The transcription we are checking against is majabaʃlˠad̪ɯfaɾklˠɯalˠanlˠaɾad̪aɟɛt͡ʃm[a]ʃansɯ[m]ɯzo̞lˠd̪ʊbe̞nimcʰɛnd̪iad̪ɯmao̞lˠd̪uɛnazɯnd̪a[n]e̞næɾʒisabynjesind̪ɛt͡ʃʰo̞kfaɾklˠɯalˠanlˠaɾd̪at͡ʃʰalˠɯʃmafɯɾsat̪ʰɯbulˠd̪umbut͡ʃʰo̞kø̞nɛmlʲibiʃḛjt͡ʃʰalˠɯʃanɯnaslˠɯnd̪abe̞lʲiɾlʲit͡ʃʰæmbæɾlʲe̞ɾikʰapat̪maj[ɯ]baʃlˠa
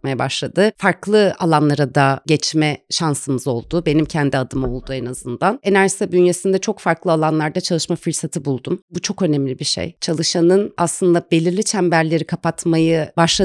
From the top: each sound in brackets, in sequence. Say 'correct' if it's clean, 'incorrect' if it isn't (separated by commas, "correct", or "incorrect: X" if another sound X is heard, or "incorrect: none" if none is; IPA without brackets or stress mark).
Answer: incorrect: ɛ, correct, correct, correct